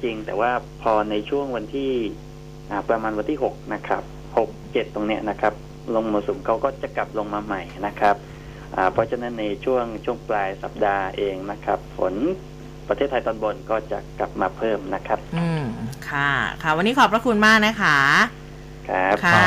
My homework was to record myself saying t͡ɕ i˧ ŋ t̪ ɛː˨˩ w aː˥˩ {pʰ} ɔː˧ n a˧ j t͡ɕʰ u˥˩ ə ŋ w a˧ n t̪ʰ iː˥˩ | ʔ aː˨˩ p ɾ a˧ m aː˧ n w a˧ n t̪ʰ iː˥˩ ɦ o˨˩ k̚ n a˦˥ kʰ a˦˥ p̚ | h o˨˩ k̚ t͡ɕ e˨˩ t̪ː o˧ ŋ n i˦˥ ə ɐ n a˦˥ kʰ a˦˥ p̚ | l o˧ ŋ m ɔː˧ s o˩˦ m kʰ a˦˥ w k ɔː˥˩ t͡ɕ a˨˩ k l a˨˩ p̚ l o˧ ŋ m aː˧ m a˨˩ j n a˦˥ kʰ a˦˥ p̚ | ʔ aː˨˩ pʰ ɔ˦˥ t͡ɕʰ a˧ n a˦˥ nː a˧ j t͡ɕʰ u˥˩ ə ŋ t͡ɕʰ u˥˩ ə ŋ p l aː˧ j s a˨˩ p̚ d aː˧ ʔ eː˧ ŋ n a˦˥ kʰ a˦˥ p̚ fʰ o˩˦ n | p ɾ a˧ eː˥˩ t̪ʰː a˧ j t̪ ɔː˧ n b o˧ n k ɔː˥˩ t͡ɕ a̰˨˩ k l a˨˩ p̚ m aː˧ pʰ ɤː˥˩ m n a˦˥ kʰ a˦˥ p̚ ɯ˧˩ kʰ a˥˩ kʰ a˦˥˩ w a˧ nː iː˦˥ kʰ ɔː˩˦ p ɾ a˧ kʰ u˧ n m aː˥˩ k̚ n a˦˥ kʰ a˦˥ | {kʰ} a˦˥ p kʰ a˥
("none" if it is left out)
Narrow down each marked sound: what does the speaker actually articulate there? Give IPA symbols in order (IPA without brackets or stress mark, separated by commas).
pʰ, kʰ